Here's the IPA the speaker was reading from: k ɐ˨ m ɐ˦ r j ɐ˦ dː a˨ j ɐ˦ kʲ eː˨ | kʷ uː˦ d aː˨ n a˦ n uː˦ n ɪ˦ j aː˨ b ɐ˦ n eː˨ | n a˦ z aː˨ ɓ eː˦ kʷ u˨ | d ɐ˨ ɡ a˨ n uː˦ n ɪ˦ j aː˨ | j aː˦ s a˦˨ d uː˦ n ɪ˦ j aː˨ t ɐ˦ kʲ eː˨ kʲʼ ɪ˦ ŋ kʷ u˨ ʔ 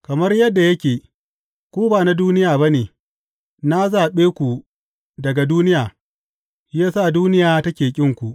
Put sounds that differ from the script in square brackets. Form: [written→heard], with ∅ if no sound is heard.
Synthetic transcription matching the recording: k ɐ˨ m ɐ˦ r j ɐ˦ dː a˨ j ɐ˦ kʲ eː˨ | kʷ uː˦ [d→b] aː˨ n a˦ [n→d] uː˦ n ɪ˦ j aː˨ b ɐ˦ n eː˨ | n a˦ z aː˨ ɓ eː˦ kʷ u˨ | d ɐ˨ ɡ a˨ [n→d] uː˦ n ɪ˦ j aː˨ | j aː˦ s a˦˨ d uː˦ n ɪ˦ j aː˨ t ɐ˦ kʲ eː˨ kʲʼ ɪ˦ ŋ kʷ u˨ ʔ